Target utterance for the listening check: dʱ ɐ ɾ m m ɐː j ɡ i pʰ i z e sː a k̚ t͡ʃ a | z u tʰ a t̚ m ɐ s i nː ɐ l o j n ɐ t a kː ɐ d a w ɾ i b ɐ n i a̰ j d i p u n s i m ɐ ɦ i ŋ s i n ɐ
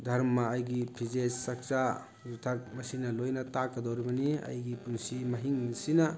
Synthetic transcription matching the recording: dʱ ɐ ɾ m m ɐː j ɡ i pʰ i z e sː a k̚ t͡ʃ a | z u tʰ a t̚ m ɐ s i n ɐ l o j n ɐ t a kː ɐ d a w ɾ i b ɐ n i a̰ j ɡ i p u n s i m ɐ ɦ i ŋ s i n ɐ